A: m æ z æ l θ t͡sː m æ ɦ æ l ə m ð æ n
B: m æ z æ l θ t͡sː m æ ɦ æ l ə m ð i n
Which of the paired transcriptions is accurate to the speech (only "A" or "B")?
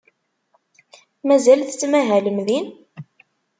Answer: B